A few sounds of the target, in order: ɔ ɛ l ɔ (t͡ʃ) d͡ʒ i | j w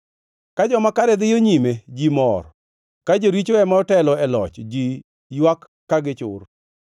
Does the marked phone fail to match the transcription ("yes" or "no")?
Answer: no